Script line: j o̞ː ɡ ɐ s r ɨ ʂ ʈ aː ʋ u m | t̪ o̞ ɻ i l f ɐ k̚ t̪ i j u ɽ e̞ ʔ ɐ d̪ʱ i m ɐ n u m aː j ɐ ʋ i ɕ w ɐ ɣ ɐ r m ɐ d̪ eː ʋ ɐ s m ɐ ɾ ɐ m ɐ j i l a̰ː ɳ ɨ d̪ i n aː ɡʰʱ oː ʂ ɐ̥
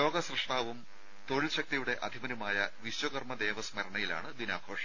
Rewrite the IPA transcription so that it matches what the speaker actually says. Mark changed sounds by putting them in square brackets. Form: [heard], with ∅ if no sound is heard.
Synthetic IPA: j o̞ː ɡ ɐ s r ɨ ʂ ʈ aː ʋ u m | t̪ o̞ ɻ i l [ɕ] ɐ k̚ t̪ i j u ɽ e̞ ʔ ɐ d̪ʱ i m ɐ n u m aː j ɐ ʋ i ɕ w ɐ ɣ ɐ r m ɐ d̪ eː ʋ ɐ s m ɐ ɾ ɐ [ɳ] ɐ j i l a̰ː ɳ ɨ d̪ i n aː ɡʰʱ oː ʂ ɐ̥